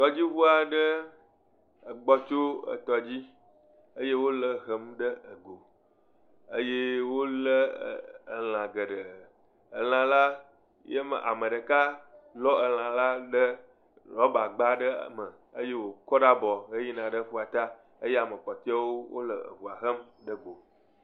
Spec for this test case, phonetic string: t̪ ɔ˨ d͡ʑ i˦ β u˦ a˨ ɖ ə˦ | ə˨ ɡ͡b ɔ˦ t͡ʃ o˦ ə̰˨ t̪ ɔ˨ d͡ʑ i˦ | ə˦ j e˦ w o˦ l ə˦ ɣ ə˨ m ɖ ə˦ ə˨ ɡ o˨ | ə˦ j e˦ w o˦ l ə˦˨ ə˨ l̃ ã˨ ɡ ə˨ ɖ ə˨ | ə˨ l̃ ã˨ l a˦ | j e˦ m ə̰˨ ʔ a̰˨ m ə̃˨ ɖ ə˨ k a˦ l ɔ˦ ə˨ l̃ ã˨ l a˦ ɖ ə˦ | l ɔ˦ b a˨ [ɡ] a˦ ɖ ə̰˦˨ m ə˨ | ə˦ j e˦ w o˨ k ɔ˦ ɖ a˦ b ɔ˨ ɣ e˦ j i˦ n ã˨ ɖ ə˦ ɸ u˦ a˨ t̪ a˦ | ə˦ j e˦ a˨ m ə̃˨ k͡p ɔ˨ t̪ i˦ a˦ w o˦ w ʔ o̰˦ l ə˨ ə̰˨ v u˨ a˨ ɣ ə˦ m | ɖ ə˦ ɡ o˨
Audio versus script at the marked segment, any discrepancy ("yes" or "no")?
yes